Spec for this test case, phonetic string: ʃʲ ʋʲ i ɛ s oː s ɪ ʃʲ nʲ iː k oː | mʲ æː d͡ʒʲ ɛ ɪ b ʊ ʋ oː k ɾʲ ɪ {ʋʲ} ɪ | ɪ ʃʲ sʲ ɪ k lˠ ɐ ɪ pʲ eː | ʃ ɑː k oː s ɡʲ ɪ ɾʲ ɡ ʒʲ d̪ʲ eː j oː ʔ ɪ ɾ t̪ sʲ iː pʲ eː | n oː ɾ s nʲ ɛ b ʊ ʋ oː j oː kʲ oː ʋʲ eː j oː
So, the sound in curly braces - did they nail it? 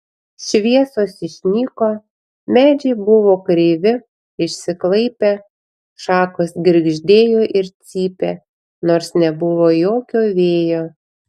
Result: yes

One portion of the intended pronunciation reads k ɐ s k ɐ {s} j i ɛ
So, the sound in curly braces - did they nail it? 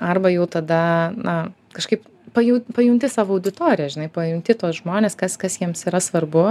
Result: yes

